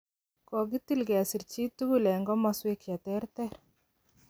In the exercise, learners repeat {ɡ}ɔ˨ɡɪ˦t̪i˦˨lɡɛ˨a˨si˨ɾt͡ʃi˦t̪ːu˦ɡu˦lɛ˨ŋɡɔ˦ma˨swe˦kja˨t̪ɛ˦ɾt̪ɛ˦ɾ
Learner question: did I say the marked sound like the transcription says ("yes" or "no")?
no